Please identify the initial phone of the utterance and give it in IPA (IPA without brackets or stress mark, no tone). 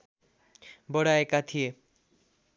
b